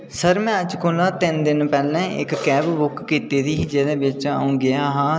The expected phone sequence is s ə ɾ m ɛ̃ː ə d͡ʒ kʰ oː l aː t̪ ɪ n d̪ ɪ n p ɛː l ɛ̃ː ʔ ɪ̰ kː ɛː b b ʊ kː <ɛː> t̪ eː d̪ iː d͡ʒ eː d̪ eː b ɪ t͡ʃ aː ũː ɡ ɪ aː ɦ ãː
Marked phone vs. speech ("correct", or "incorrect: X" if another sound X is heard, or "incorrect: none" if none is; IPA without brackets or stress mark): incorrect: iː